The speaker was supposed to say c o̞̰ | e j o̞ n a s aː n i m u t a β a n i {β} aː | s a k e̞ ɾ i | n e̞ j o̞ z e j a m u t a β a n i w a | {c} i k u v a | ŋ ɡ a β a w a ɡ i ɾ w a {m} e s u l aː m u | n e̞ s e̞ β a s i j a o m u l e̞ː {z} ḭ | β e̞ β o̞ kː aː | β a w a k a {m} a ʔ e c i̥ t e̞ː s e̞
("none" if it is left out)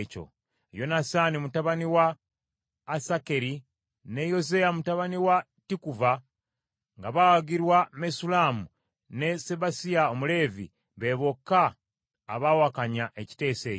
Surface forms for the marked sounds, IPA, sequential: w, t, m, v, ɲ

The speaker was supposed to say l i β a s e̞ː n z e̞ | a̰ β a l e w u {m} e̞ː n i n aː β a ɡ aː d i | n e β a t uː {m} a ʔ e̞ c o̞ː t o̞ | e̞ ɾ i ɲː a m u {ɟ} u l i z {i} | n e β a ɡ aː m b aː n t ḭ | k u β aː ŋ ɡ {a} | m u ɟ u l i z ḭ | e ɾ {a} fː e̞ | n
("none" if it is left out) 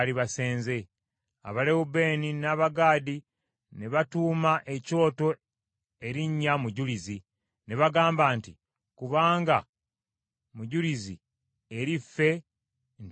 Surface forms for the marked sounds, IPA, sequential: b, m, ɟ, i, a, i

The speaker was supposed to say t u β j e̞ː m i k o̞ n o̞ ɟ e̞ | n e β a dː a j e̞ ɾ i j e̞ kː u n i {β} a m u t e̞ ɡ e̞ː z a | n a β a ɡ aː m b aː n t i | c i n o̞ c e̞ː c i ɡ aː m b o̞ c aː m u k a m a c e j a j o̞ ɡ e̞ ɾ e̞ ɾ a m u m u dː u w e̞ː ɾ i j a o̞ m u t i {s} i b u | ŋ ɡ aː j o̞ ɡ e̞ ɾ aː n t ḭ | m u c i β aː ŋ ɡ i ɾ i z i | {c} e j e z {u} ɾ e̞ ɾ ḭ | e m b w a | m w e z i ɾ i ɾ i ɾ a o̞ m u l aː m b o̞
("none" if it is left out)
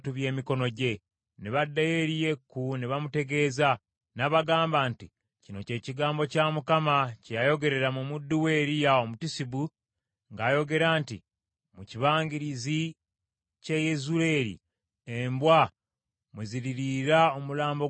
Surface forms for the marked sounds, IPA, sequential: β, s, c, u

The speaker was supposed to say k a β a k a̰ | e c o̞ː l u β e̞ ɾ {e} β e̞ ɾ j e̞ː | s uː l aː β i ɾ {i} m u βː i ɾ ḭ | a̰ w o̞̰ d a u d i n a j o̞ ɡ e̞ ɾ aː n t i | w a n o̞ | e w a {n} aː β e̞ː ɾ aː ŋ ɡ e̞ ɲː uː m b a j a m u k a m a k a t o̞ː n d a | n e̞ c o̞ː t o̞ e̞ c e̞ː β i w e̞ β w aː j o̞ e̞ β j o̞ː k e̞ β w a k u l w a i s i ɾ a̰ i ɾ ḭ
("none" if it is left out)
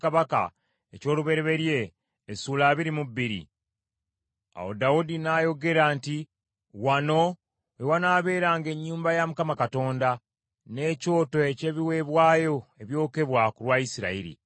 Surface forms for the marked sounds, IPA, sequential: e, i, n

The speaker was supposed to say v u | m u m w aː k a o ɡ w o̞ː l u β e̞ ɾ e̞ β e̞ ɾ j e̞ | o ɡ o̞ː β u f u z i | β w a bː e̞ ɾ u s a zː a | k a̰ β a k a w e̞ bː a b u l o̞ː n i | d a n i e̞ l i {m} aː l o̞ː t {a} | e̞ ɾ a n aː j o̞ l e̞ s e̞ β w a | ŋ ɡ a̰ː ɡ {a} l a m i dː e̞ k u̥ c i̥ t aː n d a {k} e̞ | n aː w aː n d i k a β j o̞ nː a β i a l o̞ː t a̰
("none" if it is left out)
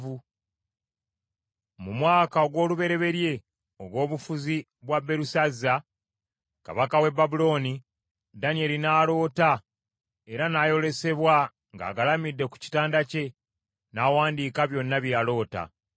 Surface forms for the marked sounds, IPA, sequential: n, a, a, c

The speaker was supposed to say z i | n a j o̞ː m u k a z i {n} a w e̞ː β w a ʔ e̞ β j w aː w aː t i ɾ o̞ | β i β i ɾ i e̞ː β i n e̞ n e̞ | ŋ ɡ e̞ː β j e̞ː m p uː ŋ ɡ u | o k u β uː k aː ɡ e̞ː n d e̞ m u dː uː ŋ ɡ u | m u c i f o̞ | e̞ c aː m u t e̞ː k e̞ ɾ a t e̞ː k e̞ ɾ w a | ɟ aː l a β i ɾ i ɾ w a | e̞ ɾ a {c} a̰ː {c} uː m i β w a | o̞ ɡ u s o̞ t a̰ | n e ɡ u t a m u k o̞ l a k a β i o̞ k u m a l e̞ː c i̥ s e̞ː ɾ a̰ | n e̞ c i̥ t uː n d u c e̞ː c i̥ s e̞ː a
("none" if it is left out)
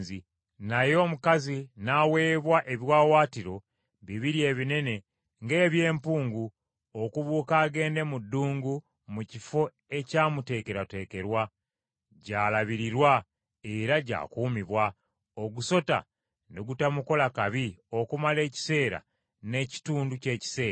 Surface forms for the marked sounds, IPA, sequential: n, ɟ, k

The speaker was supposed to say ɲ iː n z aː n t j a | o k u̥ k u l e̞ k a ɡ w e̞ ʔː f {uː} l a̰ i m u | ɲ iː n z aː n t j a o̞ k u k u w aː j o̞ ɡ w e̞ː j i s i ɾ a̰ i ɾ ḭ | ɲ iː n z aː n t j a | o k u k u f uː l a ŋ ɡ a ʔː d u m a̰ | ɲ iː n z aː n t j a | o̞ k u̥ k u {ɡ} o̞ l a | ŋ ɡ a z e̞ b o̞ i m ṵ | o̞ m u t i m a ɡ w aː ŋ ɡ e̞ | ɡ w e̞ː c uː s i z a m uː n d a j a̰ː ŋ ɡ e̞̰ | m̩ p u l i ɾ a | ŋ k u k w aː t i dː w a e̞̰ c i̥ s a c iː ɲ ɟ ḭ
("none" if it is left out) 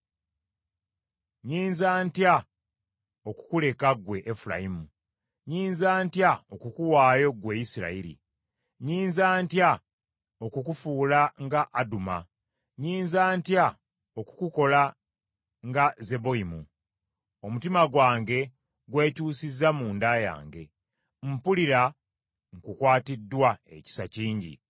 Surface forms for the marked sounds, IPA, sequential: u, k

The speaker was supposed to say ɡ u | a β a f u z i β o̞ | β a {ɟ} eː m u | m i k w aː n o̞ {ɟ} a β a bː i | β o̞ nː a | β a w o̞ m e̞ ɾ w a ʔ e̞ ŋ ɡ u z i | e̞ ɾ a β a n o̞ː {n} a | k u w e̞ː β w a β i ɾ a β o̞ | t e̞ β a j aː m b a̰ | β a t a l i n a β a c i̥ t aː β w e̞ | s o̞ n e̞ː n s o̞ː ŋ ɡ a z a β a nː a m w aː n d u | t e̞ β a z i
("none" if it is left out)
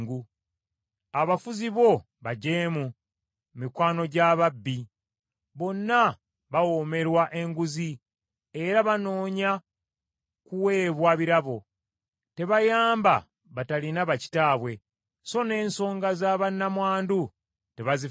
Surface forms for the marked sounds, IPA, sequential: ɟ, ɟ, ɲ

